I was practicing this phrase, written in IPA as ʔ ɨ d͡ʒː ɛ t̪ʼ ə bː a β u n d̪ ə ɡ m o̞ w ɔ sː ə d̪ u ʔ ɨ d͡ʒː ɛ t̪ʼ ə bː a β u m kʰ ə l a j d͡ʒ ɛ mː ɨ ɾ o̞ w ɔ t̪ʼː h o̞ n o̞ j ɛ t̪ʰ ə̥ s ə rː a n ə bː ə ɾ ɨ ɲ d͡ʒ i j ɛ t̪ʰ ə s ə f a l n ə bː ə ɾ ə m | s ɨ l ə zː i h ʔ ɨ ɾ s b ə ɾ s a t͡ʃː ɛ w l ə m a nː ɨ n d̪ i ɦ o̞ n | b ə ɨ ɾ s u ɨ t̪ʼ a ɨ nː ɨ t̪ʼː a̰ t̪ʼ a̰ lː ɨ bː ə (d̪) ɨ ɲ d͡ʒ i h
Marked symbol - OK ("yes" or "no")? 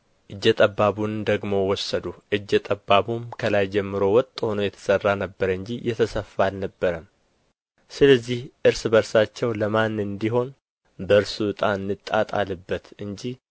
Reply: no